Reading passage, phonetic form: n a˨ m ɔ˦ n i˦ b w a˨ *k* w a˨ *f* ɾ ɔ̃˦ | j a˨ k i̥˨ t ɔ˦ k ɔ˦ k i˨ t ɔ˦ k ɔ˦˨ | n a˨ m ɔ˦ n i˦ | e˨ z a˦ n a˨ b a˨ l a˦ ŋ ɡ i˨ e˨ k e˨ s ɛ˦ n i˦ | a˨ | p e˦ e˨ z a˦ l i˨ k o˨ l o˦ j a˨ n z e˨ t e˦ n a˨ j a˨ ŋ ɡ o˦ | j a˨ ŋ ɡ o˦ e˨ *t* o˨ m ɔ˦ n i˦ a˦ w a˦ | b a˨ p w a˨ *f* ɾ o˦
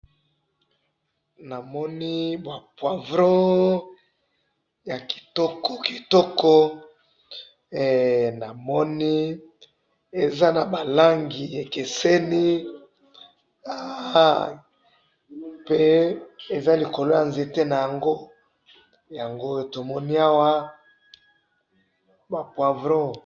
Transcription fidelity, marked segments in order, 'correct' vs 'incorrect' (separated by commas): incorrect, incorrect, correct, incorrect